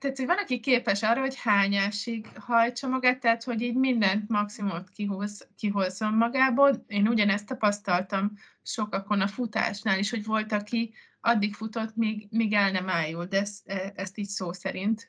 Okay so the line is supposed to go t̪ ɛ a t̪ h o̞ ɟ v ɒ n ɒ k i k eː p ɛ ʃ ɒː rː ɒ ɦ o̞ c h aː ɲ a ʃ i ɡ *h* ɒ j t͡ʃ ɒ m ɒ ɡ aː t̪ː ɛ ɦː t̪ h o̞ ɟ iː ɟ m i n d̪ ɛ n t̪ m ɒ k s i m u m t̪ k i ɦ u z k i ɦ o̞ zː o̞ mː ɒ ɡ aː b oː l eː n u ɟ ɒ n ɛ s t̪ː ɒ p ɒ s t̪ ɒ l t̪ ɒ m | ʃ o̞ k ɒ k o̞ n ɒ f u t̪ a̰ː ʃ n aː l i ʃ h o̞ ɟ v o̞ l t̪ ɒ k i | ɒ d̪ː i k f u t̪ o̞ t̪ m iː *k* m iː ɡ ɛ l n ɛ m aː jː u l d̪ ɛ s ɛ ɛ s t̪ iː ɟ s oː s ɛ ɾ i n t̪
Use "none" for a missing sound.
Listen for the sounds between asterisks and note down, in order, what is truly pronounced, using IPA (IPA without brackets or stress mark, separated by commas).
h, ɡ